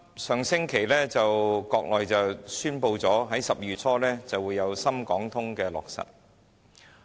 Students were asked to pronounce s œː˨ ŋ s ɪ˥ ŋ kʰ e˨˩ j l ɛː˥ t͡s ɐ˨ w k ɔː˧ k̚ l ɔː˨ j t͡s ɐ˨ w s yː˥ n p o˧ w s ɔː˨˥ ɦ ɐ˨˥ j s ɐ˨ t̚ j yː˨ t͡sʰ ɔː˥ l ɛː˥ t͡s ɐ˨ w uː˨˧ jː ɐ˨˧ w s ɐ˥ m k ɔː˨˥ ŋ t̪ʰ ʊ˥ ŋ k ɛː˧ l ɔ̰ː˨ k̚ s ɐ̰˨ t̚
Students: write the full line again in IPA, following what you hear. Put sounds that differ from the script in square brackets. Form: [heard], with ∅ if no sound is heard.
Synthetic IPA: s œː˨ ŋ s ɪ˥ ŋ kʰ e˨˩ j l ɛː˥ t͡s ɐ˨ w k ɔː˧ k̚ l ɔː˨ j t͡s ɐ˨ w s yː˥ n p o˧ w [t͡s] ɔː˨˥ ɦ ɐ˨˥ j s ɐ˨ [p̚] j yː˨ t͡sʰ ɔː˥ l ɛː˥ t͡s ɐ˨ w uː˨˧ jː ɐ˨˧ w s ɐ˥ m k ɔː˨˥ ŋ t̪ʰ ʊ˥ ŋ k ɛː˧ l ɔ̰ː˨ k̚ s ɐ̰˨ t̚